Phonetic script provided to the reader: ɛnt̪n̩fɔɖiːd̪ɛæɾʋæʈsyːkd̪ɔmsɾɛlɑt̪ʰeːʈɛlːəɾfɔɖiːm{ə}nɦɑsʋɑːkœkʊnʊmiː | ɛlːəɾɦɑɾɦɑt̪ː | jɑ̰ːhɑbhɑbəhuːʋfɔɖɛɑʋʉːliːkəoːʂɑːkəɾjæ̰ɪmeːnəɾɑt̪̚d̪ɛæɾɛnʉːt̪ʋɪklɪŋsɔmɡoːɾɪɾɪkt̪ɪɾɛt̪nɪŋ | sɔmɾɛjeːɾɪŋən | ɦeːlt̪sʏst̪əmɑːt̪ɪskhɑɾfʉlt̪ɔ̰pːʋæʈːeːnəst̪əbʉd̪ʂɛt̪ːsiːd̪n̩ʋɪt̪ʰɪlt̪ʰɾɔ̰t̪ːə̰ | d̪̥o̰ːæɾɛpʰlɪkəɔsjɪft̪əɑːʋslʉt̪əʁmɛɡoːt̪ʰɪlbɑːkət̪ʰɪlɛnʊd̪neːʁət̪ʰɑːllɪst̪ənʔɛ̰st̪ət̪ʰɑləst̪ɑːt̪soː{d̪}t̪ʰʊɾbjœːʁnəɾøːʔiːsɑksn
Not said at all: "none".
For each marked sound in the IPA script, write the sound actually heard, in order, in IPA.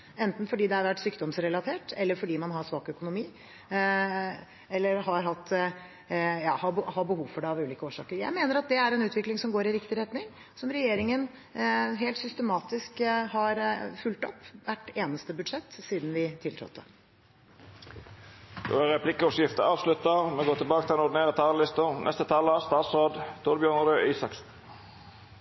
ɑ, d̪

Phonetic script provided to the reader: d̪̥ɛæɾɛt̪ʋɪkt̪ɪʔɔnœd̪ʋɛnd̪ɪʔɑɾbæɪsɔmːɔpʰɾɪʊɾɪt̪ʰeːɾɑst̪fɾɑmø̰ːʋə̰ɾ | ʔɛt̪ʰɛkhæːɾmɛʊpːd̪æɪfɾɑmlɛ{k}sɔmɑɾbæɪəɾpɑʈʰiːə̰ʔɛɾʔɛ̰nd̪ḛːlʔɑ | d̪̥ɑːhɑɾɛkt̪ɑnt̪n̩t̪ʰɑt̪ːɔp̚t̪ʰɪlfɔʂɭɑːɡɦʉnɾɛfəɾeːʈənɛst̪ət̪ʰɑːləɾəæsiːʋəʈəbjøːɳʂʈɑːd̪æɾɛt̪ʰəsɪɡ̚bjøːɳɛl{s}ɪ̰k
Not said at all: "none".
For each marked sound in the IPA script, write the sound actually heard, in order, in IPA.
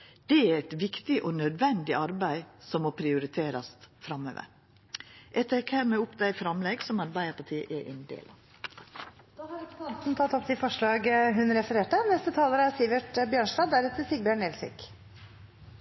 ɡ, s

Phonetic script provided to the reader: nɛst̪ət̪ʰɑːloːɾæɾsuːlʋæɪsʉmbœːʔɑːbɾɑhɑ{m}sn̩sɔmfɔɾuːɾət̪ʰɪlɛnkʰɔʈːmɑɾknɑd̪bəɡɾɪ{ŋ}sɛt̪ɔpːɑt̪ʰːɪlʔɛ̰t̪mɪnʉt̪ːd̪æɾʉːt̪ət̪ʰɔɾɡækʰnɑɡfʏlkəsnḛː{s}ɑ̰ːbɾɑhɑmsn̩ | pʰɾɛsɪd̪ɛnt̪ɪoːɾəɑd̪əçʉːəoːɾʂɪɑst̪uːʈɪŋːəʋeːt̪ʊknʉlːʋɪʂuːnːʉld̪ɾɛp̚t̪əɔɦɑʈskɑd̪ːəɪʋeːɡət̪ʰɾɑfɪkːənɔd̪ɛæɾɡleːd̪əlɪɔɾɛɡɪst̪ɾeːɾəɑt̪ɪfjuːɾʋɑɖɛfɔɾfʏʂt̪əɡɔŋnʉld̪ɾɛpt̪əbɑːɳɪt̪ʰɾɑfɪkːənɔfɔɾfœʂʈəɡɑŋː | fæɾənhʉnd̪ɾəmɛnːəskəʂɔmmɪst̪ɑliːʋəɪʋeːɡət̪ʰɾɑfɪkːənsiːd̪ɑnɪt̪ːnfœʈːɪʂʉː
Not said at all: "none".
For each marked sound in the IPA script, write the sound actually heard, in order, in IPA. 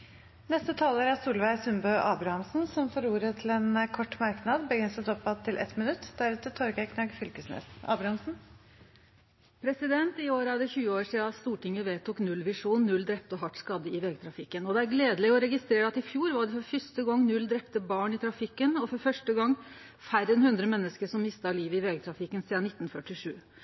m, n, s

